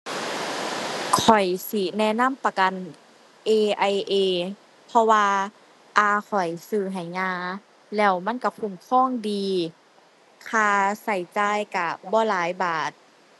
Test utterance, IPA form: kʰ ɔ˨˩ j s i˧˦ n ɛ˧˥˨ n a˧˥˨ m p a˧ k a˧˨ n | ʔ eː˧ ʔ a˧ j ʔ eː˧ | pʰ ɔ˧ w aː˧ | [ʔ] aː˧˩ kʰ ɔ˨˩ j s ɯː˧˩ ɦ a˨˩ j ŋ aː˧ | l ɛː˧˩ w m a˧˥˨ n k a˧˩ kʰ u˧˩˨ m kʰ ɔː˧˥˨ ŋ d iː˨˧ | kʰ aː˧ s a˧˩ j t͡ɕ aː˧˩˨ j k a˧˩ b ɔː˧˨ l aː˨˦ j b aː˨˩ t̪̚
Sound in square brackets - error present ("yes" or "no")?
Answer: no